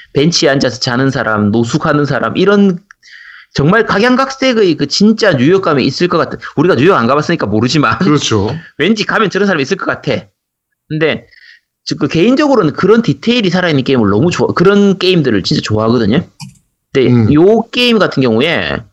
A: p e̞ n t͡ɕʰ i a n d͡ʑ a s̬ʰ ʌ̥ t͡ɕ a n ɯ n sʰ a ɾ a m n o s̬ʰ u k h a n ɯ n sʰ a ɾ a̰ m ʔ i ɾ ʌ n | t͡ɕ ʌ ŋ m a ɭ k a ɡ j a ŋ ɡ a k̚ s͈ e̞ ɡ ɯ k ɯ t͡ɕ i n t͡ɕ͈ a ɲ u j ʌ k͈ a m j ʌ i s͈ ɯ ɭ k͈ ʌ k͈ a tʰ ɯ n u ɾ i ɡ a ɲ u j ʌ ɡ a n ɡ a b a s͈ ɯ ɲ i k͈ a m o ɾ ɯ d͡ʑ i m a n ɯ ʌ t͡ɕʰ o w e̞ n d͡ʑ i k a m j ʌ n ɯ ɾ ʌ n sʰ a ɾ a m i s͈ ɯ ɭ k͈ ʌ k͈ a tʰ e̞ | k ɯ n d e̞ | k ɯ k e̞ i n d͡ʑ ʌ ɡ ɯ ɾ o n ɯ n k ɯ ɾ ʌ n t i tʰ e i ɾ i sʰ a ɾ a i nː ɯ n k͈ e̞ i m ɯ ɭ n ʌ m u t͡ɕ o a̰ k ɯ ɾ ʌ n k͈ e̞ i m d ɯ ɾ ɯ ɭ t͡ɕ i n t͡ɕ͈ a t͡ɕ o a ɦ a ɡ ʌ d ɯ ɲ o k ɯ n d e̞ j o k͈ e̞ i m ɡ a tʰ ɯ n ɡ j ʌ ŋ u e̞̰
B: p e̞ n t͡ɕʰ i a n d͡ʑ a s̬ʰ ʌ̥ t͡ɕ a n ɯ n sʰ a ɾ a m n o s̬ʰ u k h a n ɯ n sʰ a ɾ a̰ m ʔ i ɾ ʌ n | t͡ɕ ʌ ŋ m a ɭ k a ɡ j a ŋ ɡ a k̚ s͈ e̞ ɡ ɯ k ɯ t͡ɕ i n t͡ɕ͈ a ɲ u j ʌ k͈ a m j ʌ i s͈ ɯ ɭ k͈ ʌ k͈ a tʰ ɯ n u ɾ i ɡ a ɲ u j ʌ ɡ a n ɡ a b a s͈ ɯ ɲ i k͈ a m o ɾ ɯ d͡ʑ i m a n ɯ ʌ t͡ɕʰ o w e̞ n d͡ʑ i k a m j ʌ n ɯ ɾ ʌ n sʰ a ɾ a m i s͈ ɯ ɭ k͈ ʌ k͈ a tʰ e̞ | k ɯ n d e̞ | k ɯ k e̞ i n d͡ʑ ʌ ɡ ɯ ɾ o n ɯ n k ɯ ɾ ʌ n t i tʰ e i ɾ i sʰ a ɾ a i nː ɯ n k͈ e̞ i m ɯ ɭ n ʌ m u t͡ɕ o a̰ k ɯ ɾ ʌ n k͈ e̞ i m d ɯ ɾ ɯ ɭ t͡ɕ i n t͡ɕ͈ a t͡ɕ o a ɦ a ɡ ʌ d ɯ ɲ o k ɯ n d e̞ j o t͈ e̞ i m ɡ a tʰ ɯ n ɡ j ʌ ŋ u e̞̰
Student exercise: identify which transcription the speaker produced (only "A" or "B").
A